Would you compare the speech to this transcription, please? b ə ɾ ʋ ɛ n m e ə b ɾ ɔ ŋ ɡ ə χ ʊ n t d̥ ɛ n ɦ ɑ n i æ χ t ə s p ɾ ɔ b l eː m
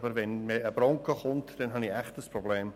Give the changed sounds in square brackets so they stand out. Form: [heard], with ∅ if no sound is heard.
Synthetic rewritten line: b ə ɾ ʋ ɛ n m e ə b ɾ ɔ ŋ [k] ə χ ʊ n t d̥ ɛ n ɦ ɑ n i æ χ t ə s p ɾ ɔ b l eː m